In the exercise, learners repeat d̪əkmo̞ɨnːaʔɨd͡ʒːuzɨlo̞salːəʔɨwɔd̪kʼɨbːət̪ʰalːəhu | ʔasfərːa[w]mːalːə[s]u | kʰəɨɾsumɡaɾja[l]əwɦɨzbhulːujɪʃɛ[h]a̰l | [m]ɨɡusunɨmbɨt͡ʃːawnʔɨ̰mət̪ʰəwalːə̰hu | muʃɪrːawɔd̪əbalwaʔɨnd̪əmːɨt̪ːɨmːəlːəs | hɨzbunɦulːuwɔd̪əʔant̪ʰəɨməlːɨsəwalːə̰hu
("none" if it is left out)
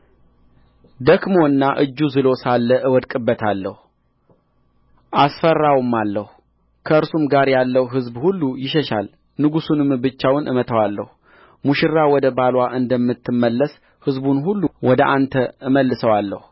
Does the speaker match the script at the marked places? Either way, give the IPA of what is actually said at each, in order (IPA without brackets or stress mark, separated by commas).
w, h, lː, ʃ, n